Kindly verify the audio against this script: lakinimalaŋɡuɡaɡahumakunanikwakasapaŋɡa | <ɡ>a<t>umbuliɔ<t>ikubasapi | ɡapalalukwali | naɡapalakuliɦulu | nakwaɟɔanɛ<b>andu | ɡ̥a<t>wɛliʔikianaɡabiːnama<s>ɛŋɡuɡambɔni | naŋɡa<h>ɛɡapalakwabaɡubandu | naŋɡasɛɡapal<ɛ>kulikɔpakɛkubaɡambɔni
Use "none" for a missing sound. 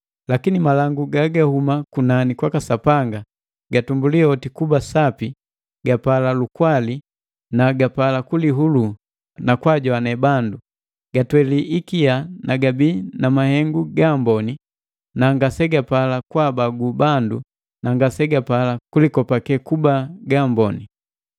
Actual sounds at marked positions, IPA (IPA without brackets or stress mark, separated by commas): ɡ, t, t, b, t, h, s, a